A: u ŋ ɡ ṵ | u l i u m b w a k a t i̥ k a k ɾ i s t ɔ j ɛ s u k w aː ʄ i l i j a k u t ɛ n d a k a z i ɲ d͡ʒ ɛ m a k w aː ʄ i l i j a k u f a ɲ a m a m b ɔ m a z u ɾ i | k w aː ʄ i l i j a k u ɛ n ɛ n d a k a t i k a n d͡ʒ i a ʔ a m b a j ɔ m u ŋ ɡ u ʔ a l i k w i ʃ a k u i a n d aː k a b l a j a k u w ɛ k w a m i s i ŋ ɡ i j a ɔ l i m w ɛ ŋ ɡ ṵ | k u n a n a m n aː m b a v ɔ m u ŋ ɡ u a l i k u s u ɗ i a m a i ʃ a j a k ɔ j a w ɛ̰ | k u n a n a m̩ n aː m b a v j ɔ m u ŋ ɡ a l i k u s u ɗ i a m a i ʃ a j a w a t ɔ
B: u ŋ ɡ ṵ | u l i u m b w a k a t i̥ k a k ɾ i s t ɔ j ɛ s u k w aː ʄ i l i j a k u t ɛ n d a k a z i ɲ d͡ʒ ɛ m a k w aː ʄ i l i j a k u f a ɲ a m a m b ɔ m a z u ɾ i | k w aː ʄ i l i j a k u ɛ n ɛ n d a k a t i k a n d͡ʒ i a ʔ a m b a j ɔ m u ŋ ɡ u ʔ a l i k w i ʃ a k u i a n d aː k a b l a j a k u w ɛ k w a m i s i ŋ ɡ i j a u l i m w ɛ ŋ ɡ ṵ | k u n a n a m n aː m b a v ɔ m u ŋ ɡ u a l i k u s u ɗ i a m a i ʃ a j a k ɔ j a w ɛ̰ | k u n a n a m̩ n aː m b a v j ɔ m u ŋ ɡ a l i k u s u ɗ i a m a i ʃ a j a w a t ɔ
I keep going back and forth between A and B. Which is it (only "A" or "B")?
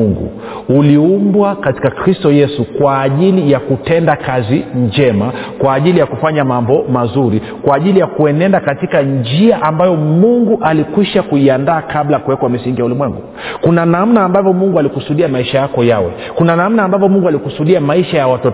B